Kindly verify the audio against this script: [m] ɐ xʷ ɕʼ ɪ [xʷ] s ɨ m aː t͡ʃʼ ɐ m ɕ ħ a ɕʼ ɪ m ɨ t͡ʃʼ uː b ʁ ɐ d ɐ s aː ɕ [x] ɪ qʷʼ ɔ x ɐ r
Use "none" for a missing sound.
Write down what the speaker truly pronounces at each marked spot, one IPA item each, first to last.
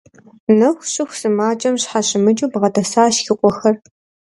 n, xʷ, x

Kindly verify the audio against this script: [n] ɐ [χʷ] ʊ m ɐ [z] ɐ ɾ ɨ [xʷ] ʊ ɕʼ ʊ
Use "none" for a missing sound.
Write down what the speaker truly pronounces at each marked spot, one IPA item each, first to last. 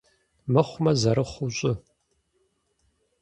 m, χʷ, z, χʷ

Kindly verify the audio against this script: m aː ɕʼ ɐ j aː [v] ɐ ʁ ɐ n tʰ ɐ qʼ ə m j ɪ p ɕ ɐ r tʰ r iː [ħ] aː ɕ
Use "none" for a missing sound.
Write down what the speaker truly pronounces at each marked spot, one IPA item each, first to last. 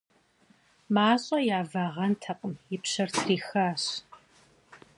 v, x

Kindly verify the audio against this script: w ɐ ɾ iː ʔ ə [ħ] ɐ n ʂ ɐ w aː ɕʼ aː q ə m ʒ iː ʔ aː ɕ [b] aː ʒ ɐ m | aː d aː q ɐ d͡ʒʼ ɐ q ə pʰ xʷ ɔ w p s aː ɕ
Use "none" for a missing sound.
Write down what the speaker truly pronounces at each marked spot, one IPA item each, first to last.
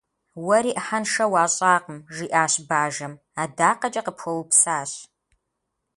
ħ, b

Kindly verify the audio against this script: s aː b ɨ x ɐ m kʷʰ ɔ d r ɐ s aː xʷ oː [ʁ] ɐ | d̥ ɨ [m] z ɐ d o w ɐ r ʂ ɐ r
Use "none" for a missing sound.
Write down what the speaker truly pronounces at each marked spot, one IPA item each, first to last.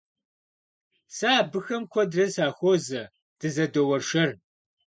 z, none

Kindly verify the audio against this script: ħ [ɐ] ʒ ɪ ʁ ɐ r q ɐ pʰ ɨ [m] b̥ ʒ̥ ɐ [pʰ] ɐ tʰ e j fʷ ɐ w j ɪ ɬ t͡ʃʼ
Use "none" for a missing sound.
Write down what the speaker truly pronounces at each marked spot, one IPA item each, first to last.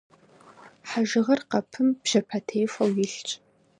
a, m, pʰ

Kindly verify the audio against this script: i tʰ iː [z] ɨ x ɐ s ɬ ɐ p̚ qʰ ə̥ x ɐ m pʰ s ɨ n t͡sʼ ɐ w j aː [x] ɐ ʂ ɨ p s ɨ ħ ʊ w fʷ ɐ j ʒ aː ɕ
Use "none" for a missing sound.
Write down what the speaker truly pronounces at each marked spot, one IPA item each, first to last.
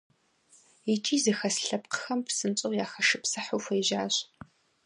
z, x

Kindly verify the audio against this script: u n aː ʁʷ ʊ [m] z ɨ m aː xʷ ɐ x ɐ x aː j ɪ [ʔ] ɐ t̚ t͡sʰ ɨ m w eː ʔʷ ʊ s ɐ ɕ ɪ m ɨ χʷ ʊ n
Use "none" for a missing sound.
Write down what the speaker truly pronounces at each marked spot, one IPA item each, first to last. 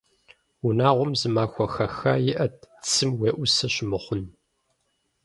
m, ʔ

